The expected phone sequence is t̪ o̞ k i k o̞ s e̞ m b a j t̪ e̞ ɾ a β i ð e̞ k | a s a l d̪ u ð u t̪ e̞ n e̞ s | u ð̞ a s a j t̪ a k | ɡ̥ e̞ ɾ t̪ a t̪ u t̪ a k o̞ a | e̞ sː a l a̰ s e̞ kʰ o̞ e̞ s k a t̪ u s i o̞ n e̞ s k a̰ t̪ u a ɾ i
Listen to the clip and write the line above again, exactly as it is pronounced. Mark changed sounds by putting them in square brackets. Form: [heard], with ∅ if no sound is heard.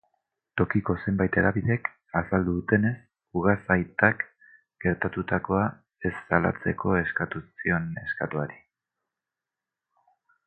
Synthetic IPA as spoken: t̪ o̞ k i k o̞ s e̞ m b a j t̪ e̞ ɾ a β i ð e̞ k | a s a l d̪ u ð u t̪ e̞ n e̞ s | u [ɣ̞] a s a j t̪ a k | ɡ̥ e̞ ɾ t̪ a t̪ u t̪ a k o̞ a | e̞ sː a l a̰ [t͡s] e̞ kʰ o̞ e̞ s k a t̪ u s i o̞ n e̞ s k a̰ t̪ u a ɾ i